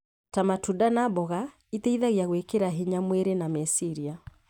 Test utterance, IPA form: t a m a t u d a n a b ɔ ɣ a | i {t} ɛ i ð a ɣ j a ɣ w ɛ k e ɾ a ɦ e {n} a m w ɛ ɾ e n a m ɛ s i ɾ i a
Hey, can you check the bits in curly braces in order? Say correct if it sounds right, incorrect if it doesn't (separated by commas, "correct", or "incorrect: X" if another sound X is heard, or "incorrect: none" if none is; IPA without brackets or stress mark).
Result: correct, incorrect: ɲ